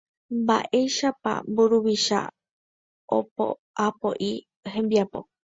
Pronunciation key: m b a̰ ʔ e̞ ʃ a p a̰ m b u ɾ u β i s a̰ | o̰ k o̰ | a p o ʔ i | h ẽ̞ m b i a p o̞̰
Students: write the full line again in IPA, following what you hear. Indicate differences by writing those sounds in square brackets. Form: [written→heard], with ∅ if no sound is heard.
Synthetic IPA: m b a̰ ʔ e̞ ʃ a p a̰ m b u ɾ u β i [s→ʃ] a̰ | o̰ [k→p] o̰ | a p o ʔ i | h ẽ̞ m b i a p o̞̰

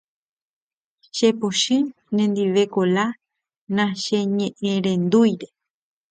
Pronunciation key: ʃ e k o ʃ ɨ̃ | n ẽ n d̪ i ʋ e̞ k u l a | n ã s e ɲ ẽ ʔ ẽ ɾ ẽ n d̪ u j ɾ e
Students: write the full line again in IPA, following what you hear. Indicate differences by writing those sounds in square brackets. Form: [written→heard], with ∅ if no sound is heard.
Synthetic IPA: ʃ e [k→p] o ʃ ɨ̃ | n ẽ n d̪ i ʋ e̞ k [u→o] l a | n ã [s→ʃ] e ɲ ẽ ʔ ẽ ɾ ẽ n d̪ u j ɾ e

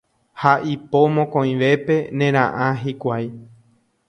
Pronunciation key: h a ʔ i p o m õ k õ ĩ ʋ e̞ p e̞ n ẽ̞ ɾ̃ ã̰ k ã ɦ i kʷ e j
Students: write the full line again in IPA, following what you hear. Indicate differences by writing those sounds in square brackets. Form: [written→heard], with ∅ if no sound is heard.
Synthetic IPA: h a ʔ i p o m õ k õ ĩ ʋ e̞ p e̞ n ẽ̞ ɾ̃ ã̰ [k→ʔ] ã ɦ i kʷ [e→a] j

